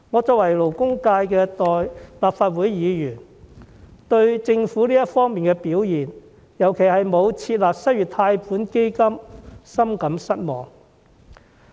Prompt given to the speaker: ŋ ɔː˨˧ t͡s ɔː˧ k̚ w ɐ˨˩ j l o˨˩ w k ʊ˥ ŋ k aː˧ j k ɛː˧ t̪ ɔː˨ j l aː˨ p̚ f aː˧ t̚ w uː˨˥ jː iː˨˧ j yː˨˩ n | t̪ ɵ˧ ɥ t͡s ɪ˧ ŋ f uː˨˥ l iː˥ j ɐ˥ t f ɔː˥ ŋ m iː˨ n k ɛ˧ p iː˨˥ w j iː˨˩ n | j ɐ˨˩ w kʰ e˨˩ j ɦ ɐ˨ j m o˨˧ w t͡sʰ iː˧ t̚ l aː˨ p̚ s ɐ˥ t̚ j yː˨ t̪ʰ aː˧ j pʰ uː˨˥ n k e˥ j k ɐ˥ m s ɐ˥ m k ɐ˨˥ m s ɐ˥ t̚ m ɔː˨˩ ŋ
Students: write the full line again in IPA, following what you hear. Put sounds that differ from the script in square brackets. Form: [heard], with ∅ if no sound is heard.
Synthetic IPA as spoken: ŋ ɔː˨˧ t͡s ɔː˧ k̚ w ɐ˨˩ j l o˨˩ w k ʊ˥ ŋ k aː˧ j k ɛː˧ t̪ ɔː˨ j l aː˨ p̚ f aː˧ t̚ w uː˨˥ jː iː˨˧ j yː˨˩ n | t̪ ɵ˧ ɥ t͡s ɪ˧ ŋ f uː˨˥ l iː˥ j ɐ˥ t f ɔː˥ ŋ m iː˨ n k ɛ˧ p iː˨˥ w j iː˨˩ n | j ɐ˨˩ w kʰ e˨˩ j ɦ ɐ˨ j m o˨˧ w t͡sʰ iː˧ t̚ l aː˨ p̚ s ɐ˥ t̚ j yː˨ t̪ʰ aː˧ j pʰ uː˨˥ n k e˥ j k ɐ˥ m s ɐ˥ m k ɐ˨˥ m s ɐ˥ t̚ m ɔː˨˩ ŋ